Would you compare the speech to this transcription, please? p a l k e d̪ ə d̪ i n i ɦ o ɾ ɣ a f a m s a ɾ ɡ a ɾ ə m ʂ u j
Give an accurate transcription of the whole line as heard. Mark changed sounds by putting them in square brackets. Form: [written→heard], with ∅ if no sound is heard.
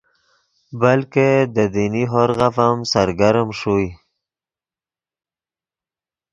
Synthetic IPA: [p→b] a l k e d̪ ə d̪ i n i ɦ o ɾ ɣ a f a m s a ɾ ɡ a ɾ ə m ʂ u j